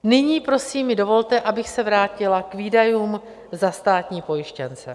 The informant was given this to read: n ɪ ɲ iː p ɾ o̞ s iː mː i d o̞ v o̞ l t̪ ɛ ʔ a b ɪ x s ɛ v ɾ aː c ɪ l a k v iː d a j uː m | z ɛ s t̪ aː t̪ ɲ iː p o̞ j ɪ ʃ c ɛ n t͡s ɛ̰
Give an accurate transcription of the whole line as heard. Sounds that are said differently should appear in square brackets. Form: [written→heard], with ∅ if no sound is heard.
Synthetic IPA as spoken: n ɪ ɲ iː p ɾ o̞ s iː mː [i→ɪ] d o̞ v o̞ l t̪ ɛ ʔ a b ɪ x s ɛ v ɾ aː c ɪ l a k v iː d a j uː m | z [ɛ→a] s t̪ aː t̪ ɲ iː p o̞ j ɪ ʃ c ɛ n t͡s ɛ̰